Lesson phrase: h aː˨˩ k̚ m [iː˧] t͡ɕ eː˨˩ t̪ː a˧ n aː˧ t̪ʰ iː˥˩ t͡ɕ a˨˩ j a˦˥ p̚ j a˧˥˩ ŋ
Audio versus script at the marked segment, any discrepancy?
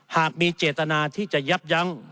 no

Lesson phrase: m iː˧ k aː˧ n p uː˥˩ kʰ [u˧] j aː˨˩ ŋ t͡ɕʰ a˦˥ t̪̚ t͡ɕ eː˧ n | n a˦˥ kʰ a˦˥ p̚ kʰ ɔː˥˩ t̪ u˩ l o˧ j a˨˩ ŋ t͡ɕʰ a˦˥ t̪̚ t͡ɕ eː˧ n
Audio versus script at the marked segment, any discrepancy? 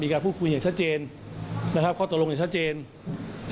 no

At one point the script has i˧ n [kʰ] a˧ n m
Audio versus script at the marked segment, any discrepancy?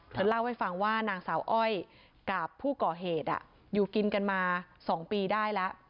yes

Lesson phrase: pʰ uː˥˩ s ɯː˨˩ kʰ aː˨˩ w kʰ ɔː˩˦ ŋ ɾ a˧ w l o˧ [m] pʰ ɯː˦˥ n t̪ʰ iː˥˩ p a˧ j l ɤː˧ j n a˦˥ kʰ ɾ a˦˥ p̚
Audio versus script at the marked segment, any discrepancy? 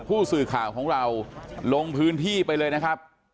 yes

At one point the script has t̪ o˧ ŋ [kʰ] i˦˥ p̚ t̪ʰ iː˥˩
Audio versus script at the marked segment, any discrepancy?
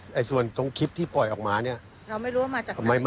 no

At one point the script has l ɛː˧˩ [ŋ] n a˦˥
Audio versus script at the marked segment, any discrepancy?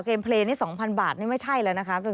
yes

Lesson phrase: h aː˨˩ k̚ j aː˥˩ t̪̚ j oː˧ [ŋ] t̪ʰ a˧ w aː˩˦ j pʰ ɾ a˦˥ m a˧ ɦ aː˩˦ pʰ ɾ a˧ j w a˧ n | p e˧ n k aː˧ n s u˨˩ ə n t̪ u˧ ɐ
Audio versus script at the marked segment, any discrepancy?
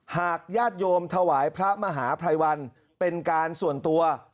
yes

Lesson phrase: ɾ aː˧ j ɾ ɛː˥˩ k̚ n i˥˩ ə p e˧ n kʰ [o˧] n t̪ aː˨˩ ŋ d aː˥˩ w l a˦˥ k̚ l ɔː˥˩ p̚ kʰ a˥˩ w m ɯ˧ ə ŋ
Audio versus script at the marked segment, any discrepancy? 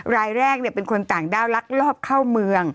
no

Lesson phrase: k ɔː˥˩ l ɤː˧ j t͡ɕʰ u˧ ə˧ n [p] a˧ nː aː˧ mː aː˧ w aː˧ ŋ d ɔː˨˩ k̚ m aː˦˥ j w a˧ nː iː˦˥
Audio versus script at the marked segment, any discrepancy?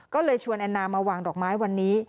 yes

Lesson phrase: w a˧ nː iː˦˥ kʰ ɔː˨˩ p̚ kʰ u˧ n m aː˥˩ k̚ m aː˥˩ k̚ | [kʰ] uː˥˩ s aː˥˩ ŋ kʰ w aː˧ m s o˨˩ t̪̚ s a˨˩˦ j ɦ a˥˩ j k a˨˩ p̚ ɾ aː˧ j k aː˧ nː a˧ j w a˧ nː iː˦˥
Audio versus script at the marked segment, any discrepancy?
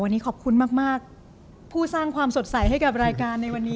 yes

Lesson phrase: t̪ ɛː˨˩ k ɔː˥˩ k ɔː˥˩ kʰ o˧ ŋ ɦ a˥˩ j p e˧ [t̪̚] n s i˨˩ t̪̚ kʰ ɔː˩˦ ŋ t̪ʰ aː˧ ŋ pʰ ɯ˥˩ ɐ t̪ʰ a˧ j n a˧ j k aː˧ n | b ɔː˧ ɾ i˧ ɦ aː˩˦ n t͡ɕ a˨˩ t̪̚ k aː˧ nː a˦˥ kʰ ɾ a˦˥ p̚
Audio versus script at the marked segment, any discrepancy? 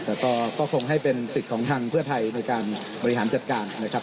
yes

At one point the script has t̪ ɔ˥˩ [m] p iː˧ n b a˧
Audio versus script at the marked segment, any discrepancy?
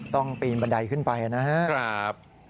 yes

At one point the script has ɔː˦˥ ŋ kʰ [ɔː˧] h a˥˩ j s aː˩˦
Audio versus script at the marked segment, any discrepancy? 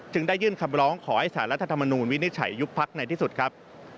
yes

